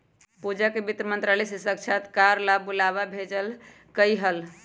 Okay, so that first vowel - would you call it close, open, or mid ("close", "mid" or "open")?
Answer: close